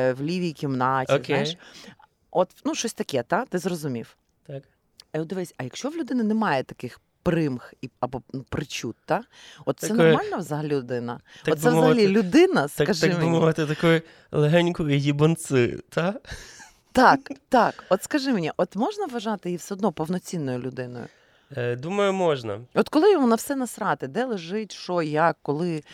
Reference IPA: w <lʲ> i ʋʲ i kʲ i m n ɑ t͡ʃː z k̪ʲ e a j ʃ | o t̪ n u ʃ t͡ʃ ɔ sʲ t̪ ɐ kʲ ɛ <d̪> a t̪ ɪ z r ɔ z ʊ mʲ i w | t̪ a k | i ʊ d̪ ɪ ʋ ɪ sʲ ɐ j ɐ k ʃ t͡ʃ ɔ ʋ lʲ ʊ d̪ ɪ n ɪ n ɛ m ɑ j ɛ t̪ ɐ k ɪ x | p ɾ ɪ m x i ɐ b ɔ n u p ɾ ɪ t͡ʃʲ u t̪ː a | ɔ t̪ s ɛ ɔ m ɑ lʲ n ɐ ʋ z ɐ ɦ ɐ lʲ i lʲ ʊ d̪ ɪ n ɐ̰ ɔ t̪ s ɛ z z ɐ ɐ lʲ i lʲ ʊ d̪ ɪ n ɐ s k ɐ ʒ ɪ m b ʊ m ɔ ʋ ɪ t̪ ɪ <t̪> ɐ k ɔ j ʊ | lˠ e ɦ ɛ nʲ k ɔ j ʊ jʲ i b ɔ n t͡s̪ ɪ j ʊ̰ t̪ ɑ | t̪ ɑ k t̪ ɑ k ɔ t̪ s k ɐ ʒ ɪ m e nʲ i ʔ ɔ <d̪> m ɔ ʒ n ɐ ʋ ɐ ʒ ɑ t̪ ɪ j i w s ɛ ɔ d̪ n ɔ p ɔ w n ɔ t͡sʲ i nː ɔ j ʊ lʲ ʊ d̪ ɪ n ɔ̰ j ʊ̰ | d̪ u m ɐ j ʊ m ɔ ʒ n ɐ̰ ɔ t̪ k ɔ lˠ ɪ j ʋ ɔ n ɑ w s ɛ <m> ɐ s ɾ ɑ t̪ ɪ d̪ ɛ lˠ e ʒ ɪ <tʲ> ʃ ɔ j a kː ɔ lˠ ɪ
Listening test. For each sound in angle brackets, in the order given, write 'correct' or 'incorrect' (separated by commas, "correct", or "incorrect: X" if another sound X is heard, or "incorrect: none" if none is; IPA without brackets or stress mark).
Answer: correct, incorrect: t̪, correct, incorrect: t̪, incorrect: n, correct